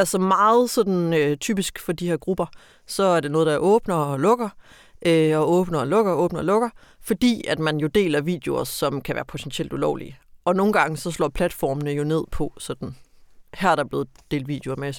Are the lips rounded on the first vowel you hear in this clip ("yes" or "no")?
no